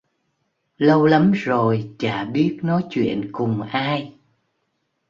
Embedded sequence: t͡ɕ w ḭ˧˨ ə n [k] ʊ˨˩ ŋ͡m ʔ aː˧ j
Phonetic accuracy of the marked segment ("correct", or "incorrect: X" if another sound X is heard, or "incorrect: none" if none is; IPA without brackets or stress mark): correct